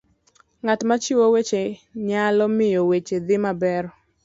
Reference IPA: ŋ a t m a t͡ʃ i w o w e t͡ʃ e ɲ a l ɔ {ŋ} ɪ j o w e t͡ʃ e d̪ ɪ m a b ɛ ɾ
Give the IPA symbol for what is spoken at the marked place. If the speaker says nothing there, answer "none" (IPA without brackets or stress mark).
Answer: m